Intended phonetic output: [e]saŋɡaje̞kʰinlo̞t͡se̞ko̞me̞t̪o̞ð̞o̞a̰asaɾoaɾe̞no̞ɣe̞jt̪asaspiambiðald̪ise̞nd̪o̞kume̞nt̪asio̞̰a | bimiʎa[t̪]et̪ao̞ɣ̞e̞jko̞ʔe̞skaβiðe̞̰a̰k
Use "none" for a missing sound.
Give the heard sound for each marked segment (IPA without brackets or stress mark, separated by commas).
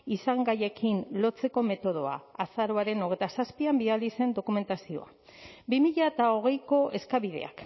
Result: i, none